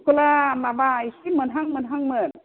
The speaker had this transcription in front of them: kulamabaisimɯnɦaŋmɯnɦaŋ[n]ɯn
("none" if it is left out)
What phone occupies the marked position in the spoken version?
m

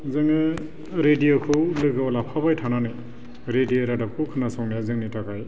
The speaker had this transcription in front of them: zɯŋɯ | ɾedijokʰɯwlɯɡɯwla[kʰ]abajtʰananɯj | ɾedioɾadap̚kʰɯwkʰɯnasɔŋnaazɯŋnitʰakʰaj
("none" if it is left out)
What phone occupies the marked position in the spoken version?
pʰ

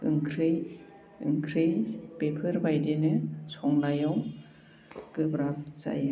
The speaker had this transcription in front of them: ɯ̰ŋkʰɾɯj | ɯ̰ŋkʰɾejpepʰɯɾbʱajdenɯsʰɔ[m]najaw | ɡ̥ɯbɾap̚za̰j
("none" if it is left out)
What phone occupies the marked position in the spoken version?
ŋ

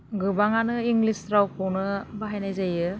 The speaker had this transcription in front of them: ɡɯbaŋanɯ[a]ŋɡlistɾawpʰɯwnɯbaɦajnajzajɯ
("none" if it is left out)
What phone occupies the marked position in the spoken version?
i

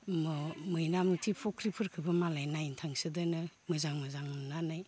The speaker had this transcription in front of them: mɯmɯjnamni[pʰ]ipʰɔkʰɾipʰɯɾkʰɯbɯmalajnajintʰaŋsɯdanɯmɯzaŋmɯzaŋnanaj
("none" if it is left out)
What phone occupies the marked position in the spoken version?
tʰ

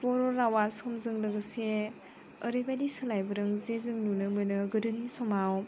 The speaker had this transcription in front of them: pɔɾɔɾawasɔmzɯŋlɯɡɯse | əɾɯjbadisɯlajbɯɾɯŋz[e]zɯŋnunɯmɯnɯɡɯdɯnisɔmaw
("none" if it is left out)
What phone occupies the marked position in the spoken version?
e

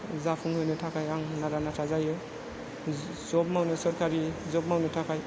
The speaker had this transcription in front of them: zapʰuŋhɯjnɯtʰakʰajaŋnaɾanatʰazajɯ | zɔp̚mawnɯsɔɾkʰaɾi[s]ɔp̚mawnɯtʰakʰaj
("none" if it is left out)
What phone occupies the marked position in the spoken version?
z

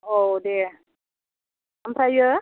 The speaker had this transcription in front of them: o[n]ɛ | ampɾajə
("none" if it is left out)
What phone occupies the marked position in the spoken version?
d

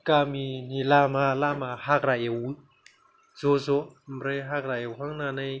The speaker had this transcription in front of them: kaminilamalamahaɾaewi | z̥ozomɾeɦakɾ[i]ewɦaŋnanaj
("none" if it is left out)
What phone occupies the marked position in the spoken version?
a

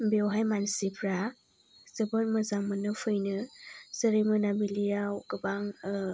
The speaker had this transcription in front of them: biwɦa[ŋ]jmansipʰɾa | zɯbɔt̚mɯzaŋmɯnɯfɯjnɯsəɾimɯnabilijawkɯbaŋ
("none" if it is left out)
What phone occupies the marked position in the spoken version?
none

